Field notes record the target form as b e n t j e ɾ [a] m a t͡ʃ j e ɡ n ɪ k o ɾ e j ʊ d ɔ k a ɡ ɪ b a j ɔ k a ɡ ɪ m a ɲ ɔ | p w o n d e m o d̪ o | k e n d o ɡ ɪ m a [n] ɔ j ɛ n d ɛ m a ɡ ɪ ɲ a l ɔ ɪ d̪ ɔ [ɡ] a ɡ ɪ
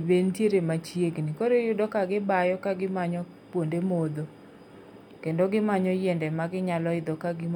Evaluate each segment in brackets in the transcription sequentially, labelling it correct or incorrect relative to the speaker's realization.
incorrect: e, incorrect: ɲ, incorrect: k

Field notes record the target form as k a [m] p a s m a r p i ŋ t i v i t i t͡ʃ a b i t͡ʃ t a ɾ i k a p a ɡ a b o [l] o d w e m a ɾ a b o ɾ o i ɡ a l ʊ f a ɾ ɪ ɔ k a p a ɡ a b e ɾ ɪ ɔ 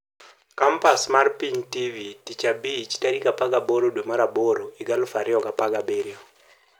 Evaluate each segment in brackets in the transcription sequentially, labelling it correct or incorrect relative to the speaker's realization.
correct, incorrect: ɾ

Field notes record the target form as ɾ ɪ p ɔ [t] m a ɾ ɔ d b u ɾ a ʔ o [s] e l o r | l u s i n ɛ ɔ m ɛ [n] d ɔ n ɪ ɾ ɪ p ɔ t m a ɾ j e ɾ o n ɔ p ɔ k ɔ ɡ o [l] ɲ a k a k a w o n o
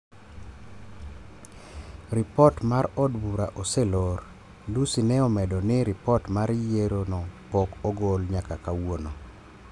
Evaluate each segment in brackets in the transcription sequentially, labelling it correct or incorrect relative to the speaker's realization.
correct, correct, incorrect: none, correct

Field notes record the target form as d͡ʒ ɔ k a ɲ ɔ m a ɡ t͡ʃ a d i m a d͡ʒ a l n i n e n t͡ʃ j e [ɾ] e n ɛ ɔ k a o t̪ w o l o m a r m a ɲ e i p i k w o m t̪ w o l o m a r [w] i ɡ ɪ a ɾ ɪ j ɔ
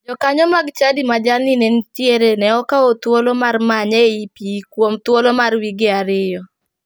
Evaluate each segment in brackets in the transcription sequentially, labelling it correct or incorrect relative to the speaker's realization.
correct, correct

